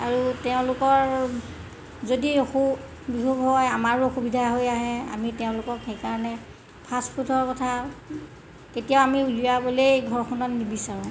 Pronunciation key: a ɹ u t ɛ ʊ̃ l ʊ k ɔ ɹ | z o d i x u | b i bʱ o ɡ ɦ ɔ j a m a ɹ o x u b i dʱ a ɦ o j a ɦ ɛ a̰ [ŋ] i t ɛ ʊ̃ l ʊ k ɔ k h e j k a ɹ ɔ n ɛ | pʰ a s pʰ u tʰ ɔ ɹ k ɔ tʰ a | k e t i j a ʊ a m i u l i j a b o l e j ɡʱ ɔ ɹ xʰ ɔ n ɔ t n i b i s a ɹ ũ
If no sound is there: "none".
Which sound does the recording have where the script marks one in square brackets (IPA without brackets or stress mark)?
m